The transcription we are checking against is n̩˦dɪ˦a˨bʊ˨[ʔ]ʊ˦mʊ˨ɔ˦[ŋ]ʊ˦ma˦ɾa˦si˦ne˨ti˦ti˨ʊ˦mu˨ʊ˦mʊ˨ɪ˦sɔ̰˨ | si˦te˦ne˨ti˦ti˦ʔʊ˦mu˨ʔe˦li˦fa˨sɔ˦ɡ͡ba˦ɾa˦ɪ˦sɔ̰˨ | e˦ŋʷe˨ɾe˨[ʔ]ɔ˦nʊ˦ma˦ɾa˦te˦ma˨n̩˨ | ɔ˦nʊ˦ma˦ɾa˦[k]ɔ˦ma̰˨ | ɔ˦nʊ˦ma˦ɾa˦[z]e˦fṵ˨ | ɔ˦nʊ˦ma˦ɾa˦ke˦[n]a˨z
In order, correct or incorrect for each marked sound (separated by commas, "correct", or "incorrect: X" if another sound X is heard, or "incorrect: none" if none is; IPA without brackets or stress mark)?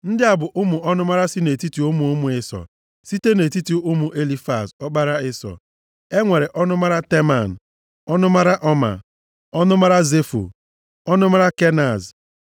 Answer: correct, incorrect: n, correct, incorrect: ʔ, correct, correct